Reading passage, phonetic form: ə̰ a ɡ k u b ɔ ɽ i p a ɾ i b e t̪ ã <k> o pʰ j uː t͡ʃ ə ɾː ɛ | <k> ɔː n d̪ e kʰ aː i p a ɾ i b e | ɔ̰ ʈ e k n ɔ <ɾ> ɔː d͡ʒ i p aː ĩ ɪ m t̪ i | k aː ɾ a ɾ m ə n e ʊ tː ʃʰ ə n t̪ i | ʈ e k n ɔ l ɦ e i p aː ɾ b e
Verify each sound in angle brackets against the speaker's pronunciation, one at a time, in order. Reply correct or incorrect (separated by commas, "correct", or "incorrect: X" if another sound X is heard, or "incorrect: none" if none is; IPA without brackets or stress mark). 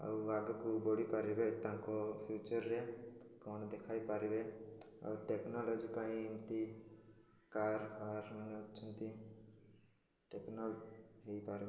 correct, correct, incorrect: l